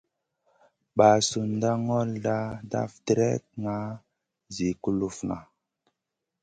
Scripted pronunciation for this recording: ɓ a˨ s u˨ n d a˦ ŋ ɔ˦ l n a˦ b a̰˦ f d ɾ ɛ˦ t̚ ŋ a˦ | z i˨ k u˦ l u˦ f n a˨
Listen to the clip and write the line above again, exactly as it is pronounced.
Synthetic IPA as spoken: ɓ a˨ s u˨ n d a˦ ŋ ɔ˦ l d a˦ d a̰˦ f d ɾ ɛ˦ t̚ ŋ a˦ | z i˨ k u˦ l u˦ f n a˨